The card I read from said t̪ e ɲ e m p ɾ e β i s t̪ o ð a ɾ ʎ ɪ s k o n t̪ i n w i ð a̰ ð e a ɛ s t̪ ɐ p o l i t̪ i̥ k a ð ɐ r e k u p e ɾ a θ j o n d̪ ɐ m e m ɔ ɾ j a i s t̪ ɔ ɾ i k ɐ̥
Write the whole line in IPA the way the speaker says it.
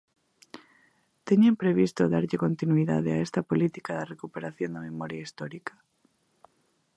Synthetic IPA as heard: t̪ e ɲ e m p ɾ e β i s t̪ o ð a ɾ ʎ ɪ k o n t̪ i n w i ð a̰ ð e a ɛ s t̪ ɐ p o l i t̪ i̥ k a ð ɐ r e k u p e ɾ a θ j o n d̪ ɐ m e m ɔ ɾ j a i s t̪ ɔ ɾ i k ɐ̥